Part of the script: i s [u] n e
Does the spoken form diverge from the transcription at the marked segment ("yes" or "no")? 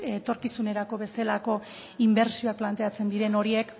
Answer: no